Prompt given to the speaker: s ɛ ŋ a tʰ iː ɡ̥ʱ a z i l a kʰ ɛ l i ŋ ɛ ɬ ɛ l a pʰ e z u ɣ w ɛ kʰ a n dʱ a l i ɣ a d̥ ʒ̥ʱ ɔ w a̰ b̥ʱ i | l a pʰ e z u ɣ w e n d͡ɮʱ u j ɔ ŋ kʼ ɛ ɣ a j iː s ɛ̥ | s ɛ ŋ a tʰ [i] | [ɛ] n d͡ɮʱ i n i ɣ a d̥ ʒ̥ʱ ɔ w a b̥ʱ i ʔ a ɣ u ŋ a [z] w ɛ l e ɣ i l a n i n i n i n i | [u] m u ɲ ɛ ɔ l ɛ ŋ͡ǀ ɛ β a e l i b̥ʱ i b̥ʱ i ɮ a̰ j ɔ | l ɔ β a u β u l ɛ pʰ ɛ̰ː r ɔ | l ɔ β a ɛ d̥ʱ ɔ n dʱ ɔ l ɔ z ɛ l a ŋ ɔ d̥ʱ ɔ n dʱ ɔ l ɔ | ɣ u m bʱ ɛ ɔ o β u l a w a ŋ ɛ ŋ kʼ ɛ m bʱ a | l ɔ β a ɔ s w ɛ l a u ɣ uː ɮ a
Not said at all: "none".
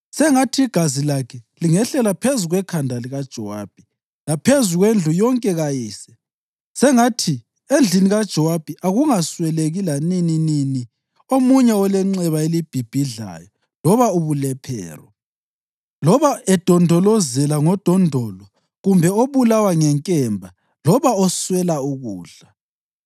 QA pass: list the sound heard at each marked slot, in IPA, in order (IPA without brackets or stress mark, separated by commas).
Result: i, e, s, o